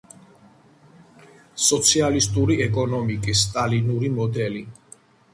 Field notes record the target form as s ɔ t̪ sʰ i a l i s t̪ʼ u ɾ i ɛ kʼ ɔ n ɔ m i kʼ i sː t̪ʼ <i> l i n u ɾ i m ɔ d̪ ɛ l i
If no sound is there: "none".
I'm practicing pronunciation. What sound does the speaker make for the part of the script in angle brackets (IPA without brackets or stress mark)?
a